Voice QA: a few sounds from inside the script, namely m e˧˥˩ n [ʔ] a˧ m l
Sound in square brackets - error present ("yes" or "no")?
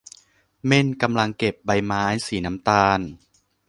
yes